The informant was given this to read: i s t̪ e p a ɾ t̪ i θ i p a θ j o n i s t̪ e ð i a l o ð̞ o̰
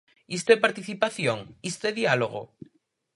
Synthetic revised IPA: i s t̪ e p a ɾ t̪ i θ i p a θ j o ŋ i s t̪ e ð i a l o ɣ̞ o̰